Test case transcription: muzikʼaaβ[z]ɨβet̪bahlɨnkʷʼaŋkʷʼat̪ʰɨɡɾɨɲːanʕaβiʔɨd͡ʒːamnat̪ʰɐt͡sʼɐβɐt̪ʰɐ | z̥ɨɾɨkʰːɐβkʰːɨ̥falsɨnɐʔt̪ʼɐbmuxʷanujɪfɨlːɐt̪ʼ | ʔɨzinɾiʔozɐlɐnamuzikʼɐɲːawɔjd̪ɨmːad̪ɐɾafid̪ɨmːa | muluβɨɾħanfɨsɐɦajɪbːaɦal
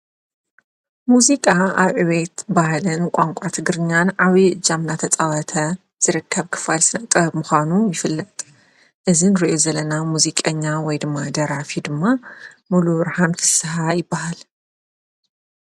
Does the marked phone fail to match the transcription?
yes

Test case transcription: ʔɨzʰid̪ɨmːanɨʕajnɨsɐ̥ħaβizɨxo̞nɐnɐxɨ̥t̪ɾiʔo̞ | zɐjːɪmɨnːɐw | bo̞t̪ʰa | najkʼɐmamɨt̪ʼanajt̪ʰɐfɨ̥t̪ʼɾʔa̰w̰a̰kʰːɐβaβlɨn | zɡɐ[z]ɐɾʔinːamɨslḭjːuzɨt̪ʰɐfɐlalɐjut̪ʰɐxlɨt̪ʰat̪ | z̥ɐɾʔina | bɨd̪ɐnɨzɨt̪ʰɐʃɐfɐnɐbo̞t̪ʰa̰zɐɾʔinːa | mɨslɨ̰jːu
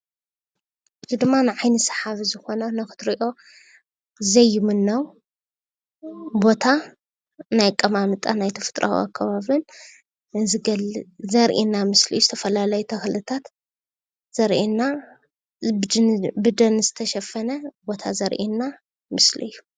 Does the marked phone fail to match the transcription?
no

